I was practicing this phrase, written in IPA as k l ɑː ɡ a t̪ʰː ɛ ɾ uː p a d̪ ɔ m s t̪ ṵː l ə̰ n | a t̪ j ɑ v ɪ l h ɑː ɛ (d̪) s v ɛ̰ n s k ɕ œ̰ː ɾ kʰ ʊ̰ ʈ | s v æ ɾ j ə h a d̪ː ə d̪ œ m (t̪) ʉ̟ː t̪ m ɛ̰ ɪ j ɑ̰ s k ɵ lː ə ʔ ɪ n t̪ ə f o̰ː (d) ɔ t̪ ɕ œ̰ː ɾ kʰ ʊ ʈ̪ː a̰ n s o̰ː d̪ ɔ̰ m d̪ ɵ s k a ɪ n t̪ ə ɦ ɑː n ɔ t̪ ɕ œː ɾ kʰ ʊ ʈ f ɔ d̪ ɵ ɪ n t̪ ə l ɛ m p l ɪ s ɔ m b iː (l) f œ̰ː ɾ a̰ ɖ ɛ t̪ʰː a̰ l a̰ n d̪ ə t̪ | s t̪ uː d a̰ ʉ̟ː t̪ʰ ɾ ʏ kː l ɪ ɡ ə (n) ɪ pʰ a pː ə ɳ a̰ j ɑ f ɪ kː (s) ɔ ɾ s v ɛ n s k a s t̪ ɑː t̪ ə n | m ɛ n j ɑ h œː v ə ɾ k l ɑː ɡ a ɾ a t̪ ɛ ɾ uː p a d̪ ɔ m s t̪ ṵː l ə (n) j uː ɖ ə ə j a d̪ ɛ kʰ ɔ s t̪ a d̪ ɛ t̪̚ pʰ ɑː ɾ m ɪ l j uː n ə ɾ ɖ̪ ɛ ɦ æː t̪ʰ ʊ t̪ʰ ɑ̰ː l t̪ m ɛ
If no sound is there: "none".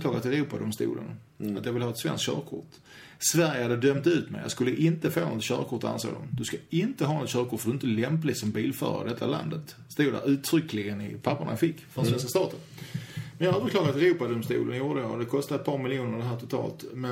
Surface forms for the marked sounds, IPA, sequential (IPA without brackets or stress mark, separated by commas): t̪, t̪, n, l, n, f, n